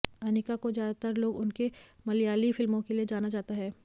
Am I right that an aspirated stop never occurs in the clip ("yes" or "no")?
yes